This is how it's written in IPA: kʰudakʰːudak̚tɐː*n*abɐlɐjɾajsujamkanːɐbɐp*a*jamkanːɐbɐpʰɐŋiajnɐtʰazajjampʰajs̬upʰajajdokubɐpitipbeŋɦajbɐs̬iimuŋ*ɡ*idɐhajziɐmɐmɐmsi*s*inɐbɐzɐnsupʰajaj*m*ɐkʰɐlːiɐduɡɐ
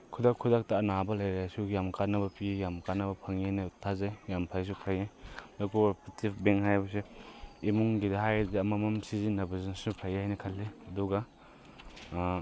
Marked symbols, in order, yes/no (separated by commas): yes, no, yes, no, no